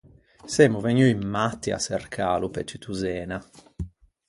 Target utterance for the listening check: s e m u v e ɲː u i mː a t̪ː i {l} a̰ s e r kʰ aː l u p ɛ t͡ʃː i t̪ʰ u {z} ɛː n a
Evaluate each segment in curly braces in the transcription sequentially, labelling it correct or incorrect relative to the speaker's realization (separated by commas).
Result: incorrect, correct